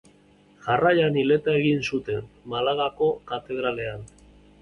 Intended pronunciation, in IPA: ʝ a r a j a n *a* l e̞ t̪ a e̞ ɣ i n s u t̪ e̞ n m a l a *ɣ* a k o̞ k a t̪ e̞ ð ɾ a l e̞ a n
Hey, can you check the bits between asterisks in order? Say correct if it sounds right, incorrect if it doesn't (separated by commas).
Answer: incorrect, correct